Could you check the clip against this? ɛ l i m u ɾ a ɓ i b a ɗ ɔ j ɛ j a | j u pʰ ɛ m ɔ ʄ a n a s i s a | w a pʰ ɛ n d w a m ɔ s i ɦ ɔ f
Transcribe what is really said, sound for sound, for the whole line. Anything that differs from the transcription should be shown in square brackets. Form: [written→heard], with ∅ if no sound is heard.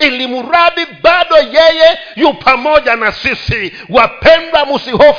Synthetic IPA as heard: [ɛ→i] l i m u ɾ a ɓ i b a ɗ ɔ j ɛ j [a→ɛ] | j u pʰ [ɛ→a] m ɔ ʄ a n a s i s [a→i] | w a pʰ ɛ n d w a m [ɔ→u] s i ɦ ɔ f